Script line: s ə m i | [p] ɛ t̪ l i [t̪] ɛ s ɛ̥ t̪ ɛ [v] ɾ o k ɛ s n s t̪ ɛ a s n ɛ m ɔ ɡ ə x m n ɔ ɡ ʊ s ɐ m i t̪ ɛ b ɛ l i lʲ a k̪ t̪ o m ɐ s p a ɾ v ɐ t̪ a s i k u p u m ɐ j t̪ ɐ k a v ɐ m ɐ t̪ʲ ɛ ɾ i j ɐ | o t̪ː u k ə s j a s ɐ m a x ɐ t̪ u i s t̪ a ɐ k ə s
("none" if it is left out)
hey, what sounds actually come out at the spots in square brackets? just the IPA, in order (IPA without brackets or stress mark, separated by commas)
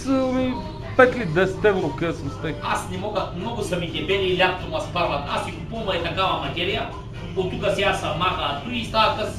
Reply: p, d̪, v